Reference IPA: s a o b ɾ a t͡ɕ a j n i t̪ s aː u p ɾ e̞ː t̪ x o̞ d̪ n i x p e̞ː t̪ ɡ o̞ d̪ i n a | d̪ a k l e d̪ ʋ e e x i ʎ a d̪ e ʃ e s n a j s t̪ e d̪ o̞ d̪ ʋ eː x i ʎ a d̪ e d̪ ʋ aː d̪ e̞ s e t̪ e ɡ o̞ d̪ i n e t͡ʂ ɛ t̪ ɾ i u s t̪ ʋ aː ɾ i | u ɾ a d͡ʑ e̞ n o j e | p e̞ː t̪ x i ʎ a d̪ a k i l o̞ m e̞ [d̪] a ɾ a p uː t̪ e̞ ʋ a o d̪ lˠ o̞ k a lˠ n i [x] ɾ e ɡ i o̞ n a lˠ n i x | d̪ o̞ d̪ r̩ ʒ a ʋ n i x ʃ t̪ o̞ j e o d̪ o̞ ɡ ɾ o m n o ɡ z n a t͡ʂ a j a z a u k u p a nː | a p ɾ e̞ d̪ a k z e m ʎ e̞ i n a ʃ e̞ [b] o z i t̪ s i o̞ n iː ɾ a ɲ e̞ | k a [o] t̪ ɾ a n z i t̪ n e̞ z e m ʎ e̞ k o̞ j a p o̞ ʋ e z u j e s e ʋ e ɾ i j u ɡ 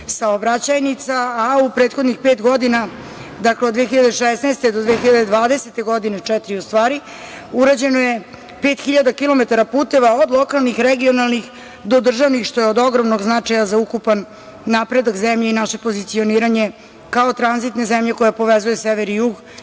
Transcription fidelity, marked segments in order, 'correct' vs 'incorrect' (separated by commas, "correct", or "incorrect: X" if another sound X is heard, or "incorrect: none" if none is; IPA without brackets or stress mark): incorrect: t̪, correct, incorrect: p, correct